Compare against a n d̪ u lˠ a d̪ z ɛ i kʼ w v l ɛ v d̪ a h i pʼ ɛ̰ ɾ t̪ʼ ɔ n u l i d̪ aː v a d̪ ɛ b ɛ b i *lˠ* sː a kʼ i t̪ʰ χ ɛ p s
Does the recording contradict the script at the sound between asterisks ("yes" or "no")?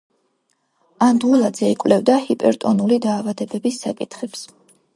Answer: yes